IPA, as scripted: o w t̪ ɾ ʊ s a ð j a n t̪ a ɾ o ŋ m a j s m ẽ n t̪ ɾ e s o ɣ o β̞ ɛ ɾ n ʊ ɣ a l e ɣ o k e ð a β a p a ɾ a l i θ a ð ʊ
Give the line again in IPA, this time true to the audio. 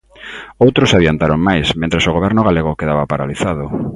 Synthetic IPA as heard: o w t̪ ɾ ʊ s a ð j a n t̪ a ɾ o ŋ m a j s m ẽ n t̪ ɾ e s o ɣ o β̞ ɛ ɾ n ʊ ɣ a l e ɣ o k e ð a β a p a ɾ a l i θ a ð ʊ